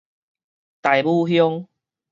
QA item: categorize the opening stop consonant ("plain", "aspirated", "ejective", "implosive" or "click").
plain